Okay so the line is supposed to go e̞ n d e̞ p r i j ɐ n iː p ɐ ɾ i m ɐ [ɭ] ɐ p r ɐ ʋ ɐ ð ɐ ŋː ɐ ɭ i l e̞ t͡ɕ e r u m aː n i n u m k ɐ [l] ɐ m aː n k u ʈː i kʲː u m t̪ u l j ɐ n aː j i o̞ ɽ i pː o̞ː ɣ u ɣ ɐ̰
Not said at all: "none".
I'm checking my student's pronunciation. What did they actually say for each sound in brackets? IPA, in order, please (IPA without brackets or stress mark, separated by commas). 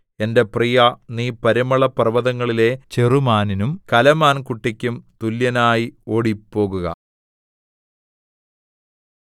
ɭ, l